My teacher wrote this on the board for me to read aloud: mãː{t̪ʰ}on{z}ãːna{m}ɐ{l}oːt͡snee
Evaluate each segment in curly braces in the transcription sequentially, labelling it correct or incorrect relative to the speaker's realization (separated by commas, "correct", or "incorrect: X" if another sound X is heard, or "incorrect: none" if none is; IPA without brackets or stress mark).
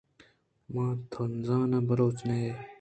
correct, correct, incorrect: b, incorrect: ɾ